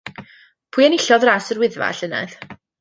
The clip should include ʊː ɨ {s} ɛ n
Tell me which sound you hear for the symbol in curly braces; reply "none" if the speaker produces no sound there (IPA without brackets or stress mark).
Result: none